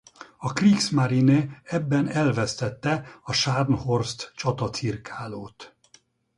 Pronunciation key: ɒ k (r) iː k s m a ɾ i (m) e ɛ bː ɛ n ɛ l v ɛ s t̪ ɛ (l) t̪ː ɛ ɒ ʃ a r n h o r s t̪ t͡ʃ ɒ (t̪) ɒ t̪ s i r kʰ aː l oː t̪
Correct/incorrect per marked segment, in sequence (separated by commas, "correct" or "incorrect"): correct, incorrect, incorrect, correct